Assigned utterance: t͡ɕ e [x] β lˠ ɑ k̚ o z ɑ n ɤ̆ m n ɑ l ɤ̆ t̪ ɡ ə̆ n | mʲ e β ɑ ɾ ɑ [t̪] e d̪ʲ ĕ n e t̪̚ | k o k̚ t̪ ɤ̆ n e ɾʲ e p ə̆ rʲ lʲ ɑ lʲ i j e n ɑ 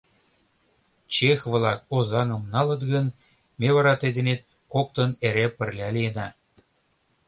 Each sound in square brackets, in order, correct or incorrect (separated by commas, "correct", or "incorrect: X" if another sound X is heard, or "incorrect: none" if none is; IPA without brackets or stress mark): correct, correct